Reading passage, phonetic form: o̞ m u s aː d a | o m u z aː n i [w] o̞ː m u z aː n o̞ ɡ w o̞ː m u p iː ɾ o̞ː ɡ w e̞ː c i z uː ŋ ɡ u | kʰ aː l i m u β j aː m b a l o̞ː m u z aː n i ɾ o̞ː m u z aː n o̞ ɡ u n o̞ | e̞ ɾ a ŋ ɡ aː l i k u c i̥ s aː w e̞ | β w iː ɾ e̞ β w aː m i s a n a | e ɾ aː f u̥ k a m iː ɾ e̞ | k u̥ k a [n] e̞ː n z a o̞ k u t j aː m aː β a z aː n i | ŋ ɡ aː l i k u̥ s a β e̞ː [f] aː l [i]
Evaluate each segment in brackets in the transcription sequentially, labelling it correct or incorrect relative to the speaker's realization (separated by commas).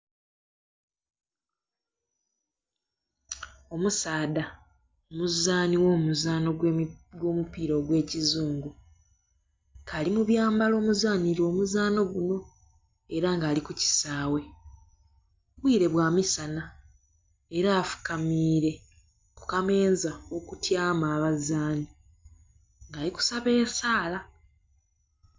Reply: correct, incorrect, incorrect, incorrect